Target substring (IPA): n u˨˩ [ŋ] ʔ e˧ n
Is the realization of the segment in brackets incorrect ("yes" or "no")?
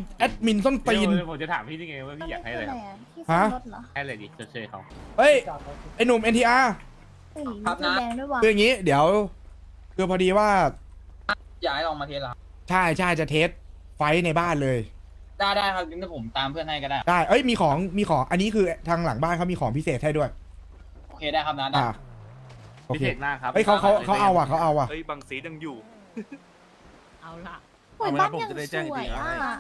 yes